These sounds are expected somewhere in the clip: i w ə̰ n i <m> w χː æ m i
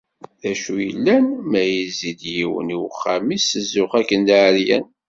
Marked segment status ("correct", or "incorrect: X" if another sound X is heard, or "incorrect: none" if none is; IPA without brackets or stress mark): incorrect: none